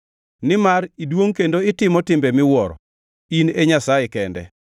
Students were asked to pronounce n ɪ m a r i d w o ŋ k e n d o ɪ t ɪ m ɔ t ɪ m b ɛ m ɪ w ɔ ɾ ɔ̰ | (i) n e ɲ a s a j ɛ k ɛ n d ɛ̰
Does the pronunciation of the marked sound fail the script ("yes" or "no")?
no